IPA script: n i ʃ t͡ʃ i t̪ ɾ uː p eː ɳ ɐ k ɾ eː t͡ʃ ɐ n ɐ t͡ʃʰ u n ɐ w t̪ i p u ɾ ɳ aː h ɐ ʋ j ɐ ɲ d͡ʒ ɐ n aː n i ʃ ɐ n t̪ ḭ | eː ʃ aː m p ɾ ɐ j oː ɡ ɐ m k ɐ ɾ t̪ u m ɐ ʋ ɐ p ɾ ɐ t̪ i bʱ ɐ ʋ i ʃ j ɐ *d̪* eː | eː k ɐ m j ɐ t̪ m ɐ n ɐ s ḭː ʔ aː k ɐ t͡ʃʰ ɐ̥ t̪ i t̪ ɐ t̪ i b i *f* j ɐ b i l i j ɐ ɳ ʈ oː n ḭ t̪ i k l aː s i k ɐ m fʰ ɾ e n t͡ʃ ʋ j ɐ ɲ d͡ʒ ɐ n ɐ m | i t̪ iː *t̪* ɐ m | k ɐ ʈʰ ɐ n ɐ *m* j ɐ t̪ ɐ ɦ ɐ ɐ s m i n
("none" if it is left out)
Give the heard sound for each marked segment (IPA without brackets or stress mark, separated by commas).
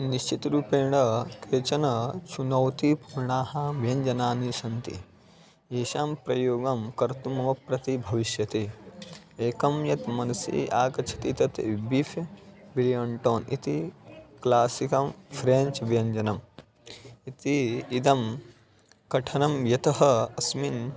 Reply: t̪, f, d̪, m